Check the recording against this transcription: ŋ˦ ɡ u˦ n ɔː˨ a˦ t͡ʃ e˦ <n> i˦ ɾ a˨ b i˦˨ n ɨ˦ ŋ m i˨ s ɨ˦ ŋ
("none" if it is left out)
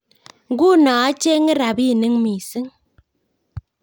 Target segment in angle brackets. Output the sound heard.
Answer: ŋ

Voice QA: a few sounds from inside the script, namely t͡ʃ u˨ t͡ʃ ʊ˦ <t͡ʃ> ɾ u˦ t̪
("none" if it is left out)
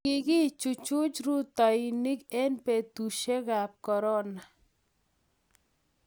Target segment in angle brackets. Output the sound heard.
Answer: t͡ʃ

